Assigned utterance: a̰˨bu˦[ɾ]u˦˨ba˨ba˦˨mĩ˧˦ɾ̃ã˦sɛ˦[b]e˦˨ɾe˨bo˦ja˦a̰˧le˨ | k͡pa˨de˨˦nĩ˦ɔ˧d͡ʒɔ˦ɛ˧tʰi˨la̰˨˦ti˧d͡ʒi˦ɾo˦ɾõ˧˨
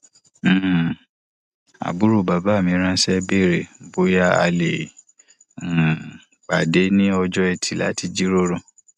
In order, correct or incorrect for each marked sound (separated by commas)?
correct, correct